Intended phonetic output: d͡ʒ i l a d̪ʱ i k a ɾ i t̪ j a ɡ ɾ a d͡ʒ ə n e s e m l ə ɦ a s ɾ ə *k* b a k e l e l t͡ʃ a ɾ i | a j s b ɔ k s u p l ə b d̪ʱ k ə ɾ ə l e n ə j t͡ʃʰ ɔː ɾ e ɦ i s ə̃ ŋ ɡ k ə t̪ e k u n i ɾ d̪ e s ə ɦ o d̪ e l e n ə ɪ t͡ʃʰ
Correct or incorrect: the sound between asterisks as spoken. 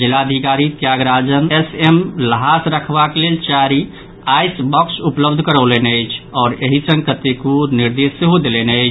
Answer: incorrect: kʰ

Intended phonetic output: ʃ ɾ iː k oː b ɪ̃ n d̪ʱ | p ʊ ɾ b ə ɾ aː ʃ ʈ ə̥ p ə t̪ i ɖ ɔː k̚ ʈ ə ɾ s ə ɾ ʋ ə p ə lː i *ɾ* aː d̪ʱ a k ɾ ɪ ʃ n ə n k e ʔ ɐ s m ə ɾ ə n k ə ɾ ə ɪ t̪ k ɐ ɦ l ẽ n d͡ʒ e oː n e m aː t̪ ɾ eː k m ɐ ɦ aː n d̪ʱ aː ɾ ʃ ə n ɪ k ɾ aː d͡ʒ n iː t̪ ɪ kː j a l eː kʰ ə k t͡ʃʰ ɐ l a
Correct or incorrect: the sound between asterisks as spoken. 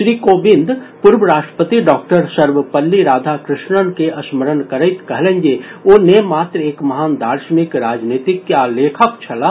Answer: correct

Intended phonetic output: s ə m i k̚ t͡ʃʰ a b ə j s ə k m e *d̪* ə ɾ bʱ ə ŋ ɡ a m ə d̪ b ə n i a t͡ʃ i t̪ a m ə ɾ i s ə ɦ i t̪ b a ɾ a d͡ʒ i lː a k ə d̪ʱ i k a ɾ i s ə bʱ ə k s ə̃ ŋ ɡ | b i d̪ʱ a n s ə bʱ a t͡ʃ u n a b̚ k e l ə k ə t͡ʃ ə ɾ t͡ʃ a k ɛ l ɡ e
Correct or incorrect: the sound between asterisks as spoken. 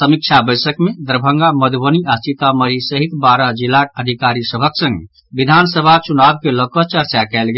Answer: correct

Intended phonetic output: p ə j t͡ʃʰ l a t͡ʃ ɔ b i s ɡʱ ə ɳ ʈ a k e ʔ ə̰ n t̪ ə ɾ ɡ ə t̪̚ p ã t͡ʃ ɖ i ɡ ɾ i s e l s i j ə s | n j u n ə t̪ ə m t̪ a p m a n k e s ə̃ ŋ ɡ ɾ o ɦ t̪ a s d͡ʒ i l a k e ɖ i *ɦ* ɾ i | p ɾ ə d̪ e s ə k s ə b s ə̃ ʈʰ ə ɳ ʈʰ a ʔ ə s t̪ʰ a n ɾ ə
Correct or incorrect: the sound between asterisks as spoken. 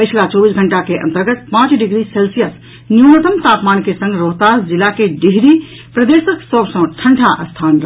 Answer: correct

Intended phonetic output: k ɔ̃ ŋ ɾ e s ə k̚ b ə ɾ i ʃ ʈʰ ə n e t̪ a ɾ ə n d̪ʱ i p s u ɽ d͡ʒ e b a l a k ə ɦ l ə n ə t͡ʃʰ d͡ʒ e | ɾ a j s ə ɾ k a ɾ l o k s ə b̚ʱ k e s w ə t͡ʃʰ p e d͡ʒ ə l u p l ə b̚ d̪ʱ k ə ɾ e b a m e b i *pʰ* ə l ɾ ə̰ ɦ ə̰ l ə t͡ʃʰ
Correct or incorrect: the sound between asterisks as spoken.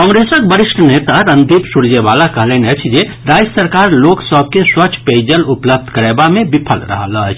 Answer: correct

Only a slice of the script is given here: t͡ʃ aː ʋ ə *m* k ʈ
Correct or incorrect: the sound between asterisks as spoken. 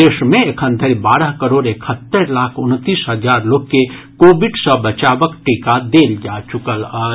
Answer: incorrect: none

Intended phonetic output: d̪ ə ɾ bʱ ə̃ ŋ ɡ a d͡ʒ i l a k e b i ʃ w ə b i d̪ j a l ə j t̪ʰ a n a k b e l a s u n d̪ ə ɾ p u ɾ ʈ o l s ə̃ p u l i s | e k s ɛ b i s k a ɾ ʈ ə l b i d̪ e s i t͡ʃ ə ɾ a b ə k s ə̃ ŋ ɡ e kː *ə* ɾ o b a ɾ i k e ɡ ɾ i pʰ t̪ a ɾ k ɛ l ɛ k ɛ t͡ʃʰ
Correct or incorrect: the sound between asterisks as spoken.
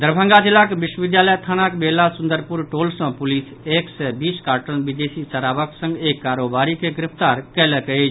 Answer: incorrect: a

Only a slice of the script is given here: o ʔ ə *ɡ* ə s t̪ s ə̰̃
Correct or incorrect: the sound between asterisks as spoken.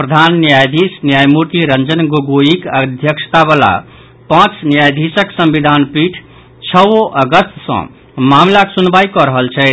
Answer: correct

